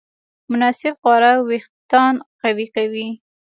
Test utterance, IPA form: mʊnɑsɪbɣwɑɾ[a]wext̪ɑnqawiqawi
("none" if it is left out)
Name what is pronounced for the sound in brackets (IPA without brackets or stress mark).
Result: a